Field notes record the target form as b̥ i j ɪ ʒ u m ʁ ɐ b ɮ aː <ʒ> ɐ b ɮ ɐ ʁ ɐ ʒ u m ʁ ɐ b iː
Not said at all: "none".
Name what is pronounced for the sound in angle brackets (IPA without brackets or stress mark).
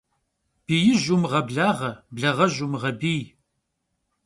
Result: ʁ